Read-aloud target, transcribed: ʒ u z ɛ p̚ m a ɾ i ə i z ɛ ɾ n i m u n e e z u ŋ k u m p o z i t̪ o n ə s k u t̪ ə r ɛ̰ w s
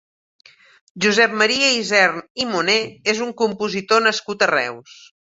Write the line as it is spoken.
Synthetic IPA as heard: ʒ u z ɛ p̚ m ə ɾ i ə i z ɛ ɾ n i m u n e e z u ŋ k u m p u z i t̪ o n ə s k u t̪ ə r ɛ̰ w s

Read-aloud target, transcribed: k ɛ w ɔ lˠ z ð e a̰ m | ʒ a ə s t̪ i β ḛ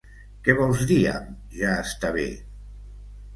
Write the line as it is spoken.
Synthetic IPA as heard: k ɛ β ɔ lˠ z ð i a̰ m | ʒ a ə s t̪ a β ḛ

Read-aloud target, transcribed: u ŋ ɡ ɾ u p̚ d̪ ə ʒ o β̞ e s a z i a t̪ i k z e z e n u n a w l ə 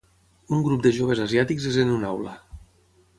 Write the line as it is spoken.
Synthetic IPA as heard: u ŋ ɡ ɾ u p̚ d̪ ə ʒ o β̞ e z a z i a t̪ i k z e z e n u n a w l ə

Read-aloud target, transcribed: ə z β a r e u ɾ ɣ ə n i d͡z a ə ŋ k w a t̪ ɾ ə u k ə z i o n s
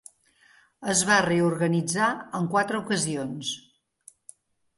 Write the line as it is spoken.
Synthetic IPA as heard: ə z β a r e u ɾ ɣ ə n i d͡z a ə ŋ k w a t̪ ɾ ə u k ə z i o n s

